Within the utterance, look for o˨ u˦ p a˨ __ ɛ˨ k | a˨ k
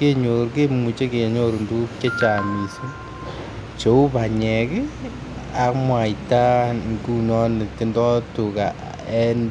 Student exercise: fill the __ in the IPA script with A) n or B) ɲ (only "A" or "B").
B